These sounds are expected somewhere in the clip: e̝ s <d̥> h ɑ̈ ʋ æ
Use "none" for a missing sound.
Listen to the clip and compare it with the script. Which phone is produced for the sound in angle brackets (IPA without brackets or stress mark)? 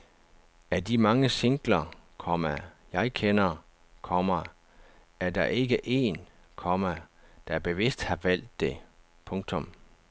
d̥